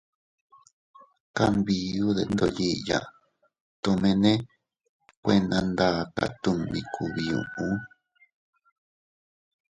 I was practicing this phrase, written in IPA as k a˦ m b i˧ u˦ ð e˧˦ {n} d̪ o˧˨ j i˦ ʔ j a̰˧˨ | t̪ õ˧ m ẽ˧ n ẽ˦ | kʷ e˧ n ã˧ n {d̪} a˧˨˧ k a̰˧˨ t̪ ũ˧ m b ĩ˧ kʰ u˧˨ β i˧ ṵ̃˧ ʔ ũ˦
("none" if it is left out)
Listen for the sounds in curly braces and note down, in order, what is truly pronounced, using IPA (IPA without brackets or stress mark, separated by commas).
n, d̪